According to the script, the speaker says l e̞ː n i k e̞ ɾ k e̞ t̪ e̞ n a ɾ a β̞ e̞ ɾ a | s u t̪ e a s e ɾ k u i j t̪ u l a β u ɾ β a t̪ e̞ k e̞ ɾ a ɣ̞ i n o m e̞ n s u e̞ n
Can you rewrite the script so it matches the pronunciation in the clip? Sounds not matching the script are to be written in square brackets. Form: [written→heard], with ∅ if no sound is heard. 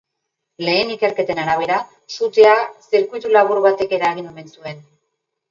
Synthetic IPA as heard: l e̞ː n i k e̞ ɾ k e̞ t̪ e̞ n a ɾ a β̞ e̞ ɾ a | s u t̪ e a s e ɾ k u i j t̪ u l a β u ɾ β a t̪ e̞ k e̞ ɾ a ɣ̞ i n o m e̞ n s u e̞ n